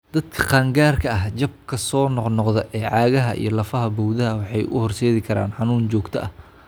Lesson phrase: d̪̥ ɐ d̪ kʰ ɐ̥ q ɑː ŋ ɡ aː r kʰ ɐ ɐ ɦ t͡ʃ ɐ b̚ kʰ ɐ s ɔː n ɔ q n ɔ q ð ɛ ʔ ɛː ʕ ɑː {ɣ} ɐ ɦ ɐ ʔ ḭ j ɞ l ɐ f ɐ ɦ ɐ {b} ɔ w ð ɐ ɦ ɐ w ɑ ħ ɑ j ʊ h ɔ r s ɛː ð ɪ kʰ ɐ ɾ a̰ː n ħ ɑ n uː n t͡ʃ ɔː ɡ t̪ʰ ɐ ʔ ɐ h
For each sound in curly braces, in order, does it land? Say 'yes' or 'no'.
yes, yes

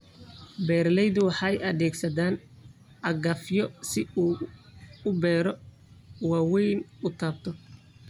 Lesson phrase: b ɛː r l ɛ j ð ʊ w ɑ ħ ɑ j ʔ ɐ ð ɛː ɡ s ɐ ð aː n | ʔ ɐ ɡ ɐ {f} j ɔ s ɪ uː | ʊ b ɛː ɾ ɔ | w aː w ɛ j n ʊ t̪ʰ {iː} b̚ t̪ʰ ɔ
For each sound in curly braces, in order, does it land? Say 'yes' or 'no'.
yes, no

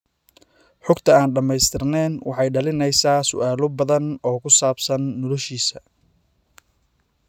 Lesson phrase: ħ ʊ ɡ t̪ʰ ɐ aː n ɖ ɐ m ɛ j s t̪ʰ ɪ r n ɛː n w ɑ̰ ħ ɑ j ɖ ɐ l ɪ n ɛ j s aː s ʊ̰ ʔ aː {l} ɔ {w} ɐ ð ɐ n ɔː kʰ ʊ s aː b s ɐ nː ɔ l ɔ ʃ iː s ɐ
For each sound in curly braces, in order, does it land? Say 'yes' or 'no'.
yes, no

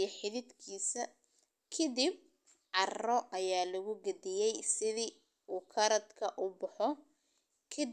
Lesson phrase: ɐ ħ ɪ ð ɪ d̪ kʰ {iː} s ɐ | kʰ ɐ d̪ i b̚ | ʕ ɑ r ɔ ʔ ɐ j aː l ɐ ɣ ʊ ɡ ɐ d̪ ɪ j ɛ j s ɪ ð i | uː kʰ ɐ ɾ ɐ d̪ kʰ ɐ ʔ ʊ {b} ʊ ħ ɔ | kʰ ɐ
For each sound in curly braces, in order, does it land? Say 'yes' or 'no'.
yes, yes

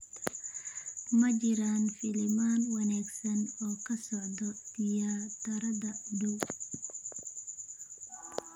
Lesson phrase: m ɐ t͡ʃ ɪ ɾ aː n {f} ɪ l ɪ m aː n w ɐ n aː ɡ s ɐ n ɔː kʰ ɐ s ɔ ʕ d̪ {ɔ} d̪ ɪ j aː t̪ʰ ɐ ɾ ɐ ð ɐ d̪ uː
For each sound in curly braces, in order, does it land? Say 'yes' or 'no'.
yes, yes

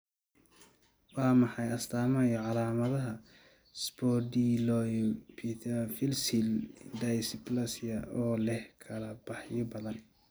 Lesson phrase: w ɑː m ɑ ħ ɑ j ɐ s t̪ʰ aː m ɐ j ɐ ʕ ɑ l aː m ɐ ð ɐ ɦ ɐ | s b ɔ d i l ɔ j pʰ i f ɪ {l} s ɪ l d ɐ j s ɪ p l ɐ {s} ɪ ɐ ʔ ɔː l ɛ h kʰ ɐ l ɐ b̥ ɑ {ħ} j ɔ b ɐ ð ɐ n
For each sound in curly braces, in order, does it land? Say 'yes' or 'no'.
yes, yes, yes

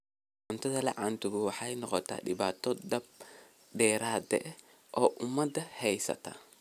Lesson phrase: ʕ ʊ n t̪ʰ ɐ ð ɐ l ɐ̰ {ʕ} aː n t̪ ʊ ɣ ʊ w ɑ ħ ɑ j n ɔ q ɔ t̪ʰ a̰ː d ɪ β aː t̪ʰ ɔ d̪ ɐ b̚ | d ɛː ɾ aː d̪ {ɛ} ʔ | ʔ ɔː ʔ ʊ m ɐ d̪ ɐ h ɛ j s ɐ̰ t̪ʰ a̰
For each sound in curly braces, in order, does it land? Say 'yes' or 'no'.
yes, yes

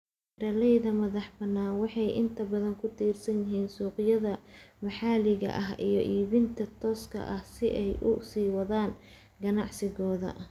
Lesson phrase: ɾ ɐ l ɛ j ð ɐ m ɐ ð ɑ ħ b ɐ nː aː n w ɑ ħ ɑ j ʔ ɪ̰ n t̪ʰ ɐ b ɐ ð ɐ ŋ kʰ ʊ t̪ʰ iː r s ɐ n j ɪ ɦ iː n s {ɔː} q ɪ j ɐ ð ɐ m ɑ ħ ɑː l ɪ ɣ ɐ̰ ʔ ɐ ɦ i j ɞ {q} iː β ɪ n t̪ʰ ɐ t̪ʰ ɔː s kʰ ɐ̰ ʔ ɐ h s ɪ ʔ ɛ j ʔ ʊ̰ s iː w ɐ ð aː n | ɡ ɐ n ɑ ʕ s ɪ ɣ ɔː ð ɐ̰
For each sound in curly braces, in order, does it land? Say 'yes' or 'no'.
no, no

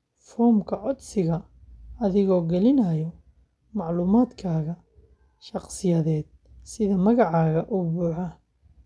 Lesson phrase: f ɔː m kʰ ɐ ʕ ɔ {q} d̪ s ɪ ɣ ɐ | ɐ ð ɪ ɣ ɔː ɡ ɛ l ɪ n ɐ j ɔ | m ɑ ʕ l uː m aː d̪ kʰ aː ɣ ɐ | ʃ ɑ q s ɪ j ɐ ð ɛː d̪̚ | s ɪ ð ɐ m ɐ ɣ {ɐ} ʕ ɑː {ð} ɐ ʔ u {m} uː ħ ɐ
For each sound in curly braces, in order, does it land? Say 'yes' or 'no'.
no, no, no, no

